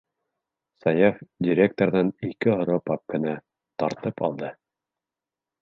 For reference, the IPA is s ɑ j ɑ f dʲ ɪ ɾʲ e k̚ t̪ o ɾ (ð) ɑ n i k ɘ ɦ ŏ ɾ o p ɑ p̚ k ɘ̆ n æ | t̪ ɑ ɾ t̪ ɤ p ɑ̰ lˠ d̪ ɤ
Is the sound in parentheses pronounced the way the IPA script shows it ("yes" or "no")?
yes